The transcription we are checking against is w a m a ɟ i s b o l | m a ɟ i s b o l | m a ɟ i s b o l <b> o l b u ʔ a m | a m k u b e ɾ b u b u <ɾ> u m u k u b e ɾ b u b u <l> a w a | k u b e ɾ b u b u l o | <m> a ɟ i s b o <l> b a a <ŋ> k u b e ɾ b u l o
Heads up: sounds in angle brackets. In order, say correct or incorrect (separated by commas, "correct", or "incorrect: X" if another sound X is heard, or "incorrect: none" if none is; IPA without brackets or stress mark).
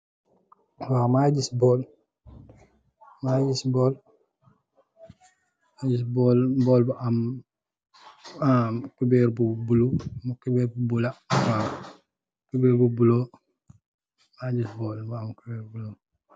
correct, incorrect: l, correct, correct, correct, incorrect: m